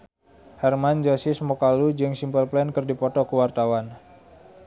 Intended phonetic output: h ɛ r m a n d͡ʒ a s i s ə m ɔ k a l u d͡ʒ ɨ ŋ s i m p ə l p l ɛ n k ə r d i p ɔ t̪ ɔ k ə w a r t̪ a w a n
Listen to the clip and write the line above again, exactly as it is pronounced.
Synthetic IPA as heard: h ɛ r m a n d͡ʒ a s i s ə m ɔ k a l u d͡ʒ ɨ ŋ s i m p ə l p l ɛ n k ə r d i p ɔ t̪ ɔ k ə w a r t̪ a w a n